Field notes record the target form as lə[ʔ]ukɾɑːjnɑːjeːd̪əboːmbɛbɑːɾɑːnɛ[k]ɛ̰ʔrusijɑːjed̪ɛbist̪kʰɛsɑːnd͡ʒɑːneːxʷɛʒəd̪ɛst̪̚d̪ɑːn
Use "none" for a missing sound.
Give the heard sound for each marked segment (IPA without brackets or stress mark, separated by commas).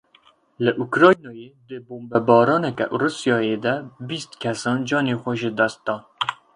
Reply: ʔ, k